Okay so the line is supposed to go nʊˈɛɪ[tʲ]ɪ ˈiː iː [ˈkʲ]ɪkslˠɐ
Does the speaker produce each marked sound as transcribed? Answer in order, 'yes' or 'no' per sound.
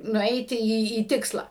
yes, no

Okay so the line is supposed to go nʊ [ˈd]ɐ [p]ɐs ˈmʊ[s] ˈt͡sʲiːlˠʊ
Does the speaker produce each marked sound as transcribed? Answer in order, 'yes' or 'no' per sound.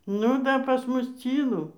yes, yes, yes

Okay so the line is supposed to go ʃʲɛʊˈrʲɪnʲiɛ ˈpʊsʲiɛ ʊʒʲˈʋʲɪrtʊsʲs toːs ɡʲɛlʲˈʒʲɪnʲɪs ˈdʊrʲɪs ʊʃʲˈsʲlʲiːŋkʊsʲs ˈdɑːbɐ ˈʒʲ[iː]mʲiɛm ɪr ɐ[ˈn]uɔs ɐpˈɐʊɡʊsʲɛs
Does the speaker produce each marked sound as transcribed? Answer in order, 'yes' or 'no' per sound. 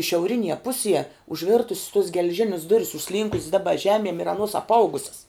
no, yes

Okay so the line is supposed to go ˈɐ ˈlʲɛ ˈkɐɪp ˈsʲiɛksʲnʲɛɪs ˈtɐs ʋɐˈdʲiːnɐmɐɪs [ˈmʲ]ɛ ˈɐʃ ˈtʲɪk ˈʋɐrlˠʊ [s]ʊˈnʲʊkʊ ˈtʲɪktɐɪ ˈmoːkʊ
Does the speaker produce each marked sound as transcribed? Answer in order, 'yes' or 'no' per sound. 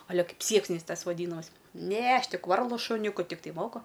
no, no

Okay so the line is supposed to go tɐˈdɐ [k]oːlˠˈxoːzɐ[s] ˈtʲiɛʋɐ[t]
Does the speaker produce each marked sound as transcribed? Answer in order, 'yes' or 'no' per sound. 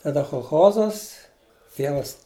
no, yes, no

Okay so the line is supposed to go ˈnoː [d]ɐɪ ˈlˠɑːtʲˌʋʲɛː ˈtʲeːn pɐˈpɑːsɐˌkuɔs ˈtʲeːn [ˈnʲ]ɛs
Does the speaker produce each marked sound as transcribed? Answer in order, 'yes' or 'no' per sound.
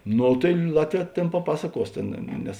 no, yes

